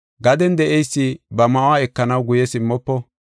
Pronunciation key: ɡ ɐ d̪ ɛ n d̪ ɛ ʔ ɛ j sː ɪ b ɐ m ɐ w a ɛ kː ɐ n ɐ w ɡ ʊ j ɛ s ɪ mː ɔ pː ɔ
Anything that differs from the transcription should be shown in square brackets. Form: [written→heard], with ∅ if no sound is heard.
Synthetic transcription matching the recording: ɡ ɐ d̪ ɛ n d̪ ɛ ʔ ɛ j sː ɪ b ɐ m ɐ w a ɛ kː ɐ n ɐ w ɡ ʊ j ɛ s ɪ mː ɔ pː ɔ